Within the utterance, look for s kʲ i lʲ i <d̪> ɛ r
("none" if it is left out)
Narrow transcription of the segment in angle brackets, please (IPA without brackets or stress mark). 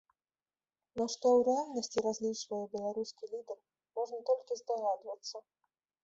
d̪